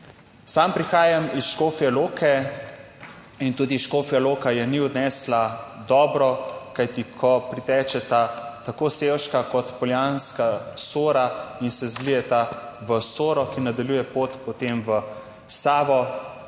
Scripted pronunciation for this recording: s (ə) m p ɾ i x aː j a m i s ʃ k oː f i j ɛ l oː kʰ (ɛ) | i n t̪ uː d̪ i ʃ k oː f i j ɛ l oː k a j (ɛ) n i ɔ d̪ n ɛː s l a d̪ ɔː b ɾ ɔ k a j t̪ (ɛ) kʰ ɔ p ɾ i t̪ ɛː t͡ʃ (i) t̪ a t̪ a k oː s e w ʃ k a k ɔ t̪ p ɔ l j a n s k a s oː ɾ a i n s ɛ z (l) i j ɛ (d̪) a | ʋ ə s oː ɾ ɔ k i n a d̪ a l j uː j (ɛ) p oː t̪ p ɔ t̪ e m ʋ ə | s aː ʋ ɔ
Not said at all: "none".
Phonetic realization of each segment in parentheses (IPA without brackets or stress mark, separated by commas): a, ɛ, ɛ, i, ɛ, l, t̪, ɛ